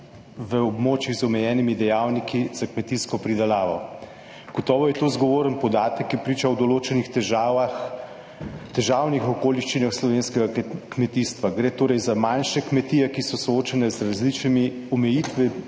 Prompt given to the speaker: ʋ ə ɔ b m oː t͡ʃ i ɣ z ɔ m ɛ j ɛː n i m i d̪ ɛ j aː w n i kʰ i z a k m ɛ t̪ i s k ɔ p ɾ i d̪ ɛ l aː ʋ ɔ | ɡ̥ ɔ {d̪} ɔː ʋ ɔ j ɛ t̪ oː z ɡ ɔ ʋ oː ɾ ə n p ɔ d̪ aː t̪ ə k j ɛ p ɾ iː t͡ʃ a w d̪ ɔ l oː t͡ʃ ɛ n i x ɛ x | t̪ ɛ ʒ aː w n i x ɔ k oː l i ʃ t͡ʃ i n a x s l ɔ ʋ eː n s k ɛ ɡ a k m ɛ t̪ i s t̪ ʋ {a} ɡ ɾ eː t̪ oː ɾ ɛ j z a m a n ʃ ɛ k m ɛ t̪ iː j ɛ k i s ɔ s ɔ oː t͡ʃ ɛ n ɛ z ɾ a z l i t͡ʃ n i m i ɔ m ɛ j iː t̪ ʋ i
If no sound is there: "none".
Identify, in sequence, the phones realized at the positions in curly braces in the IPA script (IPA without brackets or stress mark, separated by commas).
t̪, a